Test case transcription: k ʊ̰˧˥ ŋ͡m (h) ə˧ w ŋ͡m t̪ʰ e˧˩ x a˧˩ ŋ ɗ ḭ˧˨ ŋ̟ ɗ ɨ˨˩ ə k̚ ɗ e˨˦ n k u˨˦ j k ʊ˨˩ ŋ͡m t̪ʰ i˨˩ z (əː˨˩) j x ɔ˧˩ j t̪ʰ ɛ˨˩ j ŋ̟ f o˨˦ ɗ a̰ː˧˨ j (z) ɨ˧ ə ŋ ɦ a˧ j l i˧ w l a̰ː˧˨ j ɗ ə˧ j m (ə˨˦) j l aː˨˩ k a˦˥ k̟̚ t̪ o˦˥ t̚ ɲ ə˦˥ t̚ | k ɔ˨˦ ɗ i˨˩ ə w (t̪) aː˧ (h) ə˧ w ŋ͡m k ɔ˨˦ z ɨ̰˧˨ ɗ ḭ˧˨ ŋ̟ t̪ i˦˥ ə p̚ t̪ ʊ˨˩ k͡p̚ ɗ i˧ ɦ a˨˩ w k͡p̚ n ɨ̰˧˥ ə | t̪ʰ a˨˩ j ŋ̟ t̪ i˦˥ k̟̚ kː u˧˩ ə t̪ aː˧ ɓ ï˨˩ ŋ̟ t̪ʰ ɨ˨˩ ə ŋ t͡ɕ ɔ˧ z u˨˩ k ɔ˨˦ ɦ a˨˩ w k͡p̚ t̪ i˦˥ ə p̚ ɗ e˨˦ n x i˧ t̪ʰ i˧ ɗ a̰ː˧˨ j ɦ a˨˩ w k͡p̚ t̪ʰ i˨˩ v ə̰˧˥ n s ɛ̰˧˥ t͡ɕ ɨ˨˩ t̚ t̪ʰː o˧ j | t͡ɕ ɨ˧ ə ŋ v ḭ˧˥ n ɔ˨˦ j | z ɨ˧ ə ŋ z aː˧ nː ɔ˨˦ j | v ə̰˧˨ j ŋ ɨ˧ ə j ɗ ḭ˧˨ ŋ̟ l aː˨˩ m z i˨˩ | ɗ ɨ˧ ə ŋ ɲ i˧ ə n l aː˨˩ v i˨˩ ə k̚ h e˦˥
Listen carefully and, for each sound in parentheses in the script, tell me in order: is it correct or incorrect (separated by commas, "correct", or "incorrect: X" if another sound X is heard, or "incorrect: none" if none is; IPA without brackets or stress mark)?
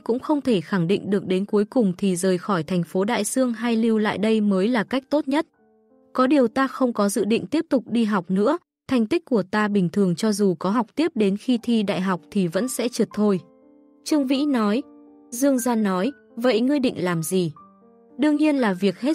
incorrect: x, correct, incorrect: s, incorrect: əː˨˦, correct, incorrect: x